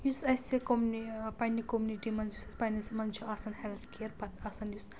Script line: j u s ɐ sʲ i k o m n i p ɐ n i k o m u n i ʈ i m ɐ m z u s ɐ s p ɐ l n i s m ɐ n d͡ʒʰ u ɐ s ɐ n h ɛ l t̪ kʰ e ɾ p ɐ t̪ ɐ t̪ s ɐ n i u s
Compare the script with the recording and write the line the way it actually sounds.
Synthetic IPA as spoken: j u s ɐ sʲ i k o m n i p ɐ n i k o m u n i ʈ i m ɐ n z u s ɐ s p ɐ n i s m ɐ n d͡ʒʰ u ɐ s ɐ n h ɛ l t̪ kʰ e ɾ p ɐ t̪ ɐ s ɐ n j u s